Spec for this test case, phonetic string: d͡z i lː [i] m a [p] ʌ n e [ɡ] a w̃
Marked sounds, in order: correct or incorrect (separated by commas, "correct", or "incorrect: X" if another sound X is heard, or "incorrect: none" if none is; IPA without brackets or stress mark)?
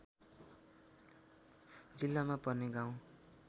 incorrect: a, correct, correct